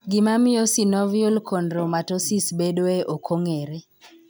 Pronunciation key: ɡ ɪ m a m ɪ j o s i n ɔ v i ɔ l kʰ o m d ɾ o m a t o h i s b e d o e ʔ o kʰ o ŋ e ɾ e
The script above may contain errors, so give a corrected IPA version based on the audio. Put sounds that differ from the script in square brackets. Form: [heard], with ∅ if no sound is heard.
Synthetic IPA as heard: ɡ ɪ m a m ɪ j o s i n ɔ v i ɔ l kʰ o [n] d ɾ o m a t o [s] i s b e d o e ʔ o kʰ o ŋ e ɾ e